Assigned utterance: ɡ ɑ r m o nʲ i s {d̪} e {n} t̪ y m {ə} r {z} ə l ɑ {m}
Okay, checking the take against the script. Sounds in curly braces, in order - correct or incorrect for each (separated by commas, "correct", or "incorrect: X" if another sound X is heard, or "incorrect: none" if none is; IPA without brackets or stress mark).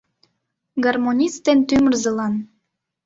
incorrect: t̪, correct, correct, correct, incorrect: n